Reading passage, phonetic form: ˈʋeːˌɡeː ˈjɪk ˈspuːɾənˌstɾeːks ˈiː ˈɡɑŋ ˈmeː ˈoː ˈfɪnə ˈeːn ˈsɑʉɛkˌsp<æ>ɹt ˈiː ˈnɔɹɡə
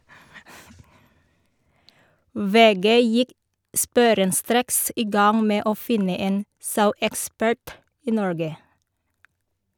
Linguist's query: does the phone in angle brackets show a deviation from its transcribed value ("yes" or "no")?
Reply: no